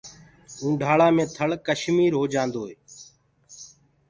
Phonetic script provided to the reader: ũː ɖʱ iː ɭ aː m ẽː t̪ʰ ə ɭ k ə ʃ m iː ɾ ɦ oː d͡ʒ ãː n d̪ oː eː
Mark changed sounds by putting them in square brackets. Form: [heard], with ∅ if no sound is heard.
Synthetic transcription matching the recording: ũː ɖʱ [aː] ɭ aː m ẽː t̪ʰ ə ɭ k ə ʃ m iː ɾ ɦ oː d͡ʒ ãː n d̪ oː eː